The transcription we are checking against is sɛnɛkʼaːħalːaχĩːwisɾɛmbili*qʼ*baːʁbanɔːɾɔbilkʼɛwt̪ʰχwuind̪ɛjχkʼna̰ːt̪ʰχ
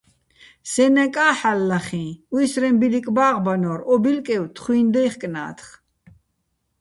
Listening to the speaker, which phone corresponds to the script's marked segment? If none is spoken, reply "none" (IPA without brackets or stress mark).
kʼ